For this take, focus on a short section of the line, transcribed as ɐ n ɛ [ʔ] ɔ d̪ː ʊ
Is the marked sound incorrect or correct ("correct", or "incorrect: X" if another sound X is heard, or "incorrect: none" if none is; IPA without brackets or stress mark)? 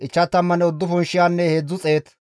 incorrect: none